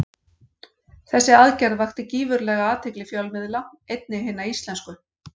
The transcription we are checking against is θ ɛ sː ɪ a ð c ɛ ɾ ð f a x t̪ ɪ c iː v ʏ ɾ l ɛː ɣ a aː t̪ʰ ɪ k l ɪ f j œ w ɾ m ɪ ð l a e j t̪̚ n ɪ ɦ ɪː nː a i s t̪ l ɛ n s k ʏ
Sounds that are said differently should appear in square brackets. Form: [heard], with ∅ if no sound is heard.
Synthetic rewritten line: θ ɛ sː ɪ a ð c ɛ ɾ ð [v] a x t̪ ɪ c iː v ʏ ɾ l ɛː ɣ a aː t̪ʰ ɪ k l ɪ f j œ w [l] m ɪ ð l a e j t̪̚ n ɪ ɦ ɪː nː a i s t̪ l ɛ n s k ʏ